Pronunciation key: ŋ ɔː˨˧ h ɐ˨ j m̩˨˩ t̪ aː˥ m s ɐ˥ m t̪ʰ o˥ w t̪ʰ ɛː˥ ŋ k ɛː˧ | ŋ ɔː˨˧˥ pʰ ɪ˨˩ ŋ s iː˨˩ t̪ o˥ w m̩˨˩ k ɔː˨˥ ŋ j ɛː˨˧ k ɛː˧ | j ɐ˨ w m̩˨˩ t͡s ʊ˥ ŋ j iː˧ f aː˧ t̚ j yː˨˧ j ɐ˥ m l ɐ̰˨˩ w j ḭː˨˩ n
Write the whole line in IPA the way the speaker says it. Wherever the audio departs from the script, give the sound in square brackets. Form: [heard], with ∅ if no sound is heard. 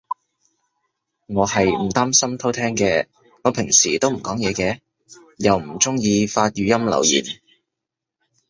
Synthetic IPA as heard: ŋ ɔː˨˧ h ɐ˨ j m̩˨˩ t̪ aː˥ m s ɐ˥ m t̪ʰ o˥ w t̪ʰ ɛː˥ ŋ k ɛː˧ | ŋ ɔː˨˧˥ pʰ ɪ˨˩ ŋ s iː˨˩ t̪ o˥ w m̩˨˩ k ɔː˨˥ ŋ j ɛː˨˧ k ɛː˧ | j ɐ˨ w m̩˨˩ t͡s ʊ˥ ŋ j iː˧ f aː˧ t̚ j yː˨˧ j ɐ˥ m l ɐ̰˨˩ w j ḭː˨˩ n